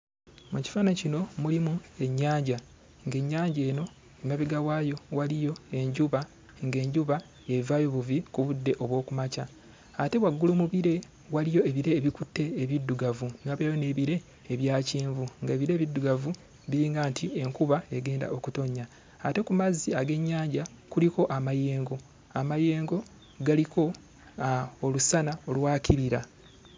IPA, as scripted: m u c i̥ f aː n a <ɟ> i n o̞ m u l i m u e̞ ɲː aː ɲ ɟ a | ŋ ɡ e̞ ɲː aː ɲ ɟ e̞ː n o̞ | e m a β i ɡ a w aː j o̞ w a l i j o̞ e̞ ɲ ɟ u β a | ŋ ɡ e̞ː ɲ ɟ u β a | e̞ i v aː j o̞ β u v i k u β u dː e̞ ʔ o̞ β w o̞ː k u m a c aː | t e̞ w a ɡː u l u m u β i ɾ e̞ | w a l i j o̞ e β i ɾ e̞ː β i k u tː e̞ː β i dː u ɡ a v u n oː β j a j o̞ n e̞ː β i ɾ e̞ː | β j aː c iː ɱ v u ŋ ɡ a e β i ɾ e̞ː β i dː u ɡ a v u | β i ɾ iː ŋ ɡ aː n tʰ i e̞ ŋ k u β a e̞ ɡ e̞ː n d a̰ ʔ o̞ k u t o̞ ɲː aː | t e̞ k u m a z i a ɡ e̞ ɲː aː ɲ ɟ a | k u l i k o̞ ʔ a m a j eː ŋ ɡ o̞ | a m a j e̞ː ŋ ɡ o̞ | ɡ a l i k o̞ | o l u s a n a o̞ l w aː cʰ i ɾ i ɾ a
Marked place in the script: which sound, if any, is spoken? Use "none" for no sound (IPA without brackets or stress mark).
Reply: c